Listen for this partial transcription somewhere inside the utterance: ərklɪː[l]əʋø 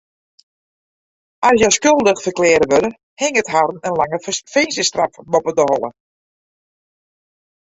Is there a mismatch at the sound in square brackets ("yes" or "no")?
yes